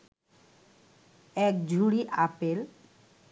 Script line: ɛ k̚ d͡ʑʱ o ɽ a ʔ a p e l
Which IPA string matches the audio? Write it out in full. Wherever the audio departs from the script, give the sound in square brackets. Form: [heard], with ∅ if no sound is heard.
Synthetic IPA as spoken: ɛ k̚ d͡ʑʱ [u] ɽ [i] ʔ a p e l